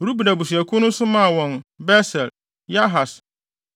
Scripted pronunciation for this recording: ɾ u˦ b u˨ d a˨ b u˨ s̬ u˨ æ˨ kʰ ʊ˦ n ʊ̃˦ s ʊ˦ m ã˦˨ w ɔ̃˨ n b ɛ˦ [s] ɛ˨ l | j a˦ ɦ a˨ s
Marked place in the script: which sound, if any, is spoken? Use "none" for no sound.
s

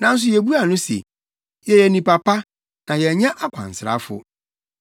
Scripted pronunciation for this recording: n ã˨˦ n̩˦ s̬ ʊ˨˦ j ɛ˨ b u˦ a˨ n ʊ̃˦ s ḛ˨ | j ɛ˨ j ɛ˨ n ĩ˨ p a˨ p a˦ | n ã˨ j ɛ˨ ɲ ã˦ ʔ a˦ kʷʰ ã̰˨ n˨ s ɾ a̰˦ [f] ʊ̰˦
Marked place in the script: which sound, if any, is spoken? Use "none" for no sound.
f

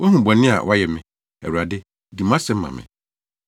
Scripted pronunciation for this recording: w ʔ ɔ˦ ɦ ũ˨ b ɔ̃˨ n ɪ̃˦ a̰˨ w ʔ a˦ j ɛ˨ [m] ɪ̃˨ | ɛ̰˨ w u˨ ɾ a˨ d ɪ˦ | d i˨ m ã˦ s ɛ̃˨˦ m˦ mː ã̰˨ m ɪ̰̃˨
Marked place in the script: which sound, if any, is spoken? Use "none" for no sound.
m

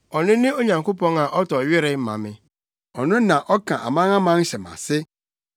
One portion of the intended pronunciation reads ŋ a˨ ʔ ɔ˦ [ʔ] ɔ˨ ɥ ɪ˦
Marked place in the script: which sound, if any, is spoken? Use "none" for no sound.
t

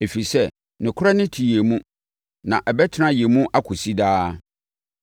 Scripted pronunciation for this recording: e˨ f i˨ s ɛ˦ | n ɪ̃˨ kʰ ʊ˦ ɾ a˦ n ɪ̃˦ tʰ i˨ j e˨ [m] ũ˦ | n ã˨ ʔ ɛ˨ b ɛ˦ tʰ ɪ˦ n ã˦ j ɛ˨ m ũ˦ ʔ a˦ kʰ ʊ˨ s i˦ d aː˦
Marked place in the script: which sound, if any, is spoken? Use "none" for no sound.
m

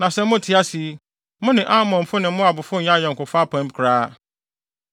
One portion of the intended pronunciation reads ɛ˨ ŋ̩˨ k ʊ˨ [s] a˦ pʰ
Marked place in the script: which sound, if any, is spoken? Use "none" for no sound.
f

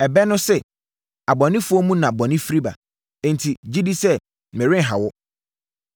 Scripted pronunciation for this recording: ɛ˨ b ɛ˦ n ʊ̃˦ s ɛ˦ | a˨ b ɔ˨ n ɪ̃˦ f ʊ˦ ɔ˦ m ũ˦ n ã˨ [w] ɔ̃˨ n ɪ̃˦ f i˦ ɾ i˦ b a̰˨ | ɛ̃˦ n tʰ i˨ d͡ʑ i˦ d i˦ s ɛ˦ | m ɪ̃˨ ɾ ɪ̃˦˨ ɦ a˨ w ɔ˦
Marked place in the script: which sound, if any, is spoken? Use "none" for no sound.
b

